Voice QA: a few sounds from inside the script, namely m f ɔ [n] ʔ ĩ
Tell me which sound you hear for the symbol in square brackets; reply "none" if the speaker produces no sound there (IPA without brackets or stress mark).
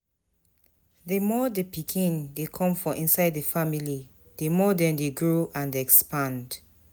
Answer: none